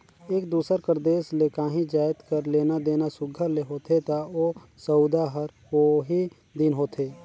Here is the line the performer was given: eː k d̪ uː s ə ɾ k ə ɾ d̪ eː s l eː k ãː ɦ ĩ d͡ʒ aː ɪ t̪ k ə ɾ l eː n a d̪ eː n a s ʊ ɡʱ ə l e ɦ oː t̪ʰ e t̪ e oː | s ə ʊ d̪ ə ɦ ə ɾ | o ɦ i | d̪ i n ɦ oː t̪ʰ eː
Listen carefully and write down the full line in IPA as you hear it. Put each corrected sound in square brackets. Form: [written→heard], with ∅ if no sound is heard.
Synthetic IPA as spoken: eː k d̪ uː s ə ɾ k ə ɾ d̪ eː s l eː k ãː ɦ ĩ d͡ʒ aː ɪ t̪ k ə ɾ l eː n a d̪ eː n a s ʊ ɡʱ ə l e ɦ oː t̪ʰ e t̪ [e→a] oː | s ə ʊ d̪ [ə→a] ɦ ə ɾ | o ɦ i | d̪ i n ɦ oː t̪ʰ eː